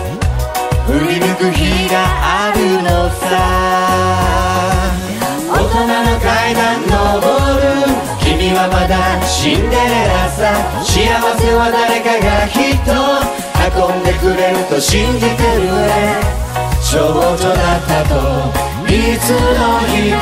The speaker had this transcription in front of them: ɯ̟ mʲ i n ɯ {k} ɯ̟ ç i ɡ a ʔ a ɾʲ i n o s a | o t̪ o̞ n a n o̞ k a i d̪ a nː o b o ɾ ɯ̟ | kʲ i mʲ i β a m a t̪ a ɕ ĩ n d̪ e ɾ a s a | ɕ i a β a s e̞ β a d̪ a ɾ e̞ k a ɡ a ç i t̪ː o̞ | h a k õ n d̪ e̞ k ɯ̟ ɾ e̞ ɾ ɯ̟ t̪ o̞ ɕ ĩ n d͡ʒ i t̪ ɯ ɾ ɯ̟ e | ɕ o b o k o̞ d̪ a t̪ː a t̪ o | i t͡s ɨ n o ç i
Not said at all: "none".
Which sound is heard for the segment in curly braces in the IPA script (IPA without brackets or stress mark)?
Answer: k